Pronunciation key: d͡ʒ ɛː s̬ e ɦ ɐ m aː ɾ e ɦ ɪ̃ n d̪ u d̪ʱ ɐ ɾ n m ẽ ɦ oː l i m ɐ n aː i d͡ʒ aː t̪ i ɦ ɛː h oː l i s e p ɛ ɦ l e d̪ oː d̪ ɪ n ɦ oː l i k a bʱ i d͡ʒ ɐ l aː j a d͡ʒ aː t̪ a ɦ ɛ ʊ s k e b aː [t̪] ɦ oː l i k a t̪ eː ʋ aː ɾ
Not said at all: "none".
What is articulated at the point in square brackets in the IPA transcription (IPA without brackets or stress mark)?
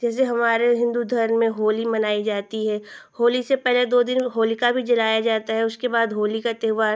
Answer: d̪